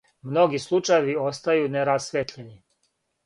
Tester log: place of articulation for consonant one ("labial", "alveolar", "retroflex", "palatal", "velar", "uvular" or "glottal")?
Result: labial